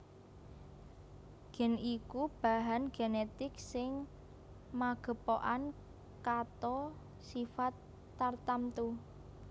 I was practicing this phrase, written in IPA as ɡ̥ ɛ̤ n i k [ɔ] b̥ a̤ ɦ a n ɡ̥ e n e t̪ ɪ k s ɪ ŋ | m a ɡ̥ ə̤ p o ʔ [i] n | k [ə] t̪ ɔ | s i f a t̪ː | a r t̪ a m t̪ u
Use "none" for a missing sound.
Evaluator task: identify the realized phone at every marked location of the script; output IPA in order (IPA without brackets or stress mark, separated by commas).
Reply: u, a, a